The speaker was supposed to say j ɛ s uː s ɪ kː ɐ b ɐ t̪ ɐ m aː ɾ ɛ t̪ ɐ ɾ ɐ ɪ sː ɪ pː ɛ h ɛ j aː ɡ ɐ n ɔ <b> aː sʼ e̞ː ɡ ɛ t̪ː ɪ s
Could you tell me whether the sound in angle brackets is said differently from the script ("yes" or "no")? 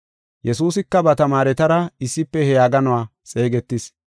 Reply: yes